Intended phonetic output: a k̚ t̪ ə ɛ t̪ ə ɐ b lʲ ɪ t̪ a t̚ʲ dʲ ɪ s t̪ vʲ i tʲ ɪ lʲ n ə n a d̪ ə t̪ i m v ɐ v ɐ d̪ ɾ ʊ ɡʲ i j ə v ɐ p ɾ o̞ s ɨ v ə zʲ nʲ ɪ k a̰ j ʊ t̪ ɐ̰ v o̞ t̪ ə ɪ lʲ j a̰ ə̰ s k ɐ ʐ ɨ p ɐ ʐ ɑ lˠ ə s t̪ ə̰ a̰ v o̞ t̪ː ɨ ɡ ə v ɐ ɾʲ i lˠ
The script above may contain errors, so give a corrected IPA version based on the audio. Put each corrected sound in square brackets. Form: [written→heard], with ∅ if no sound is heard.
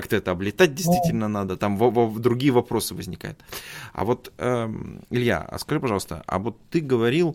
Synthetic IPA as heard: a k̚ t̪ ə ɛ t̪ ə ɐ b lʲ ɪ t̪ a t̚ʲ dʲ ɪ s t̪ vʲ i tʲ ɪ lʲ n ə n a d̪ ə t̪ [i→a] m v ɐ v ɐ d̪ ɾ ʊ ɡʲ i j ə v ɐ p ɾ o̞ s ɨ v ə zʲ nʲ ɪ k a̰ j ʊ t̪ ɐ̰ v o̞ t̪ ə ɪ lʲ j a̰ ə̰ s k ɐ ʐ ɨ p ɐ ʐ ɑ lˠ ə s t̪ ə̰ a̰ v o̞ t̪ː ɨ ɡ ə v ɐ ɾʲ i lˠ